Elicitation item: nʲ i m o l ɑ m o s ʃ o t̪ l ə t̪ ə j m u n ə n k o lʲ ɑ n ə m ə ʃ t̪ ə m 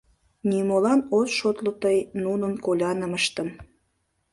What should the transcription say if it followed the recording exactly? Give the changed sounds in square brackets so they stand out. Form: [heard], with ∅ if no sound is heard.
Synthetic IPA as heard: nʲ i m o l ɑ [n] o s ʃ o t̪ l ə t̪ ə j [n] u n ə n k o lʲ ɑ n ə m ə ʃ t̪ ə m